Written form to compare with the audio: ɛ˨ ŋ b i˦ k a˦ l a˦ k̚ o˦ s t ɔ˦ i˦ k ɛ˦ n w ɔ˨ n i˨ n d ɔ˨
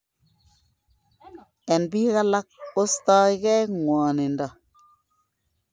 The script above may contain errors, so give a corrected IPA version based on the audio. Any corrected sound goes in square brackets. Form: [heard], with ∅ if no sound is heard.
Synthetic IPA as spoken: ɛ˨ [n] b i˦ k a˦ l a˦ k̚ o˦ s t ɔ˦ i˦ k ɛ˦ [ŋ] w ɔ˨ n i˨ n d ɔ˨